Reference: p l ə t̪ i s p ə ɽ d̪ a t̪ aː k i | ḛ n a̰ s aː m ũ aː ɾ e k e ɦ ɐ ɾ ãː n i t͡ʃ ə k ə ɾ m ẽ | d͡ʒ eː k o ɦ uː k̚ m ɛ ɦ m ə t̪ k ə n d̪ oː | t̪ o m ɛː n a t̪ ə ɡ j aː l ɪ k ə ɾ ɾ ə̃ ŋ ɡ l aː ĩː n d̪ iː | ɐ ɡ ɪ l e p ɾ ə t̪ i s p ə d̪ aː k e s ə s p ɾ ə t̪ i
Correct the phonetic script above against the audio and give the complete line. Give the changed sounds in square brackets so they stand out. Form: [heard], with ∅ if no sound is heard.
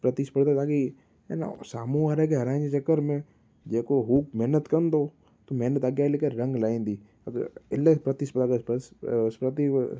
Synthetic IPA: p [ɾ] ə t̪ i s p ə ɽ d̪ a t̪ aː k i | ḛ n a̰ s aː m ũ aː ɾ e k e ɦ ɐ ɾ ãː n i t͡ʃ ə k ə ɾ m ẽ | d͡ʒ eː k o ɦ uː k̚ m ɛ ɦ [n] ə t̪ k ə n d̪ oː | t̪ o m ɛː n [ə] t̪ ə ɡ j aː l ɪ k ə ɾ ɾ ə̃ ŋ ɡ l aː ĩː n d̪ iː | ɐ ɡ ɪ l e p ɾ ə t̪ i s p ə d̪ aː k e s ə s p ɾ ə t̪ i

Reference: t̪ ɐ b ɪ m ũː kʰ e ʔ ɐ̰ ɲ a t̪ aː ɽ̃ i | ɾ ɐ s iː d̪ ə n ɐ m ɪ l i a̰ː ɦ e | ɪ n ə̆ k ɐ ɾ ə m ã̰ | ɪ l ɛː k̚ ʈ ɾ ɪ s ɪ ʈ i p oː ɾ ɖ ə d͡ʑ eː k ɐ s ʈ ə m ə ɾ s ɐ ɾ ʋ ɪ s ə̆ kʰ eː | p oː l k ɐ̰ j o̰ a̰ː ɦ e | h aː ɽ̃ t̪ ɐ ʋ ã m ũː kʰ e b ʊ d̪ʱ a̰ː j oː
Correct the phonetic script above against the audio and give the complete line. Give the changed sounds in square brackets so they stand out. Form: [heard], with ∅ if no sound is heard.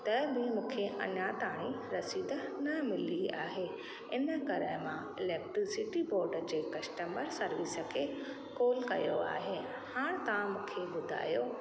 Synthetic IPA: t̪ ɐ b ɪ m ũː kʰ e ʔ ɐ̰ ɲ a t̪ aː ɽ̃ i | ɾ ɐ s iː d̪ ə n ɐ m ɪ l i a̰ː ɦ e | ɪ n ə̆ k ɐ ɾ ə m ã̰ | ɪ l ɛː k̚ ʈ ɾ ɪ s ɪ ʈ i [b] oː ɾ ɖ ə d͡ʑ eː k ɐ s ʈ ə m ə ɾ s ɐ ɾ ʋ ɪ s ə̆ kʰ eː | [k] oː l k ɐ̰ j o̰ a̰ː ɦ e | h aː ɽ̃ t̪ ɐ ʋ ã m ũː kʰ e b ʊ d̪ʱ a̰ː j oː

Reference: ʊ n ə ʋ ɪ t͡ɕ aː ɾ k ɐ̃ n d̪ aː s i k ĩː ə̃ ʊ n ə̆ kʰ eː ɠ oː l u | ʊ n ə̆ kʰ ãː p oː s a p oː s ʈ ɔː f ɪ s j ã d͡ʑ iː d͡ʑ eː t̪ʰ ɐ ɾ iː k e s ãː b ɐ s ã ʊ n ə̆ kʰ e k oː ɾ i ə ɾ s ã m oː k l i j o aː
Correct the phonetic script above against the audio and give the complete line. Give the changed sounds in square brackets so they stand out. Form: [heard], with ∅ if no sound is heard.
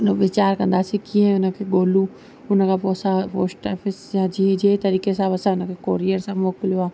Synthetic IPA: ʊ n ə ʋ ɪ t͡ɕ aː ɾ k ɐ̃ n d̪ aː s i k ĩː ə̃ ʊ n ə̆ kʰ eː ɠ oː l u | ʊ n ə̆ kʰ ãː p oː s a p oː s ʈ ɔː f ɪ s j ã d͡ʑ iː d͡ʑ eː [t̪] ɐ ɾ iː k e s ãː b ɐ s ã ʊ n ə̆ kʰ e k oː ɾ i ə ɾ s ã m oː k l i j o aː

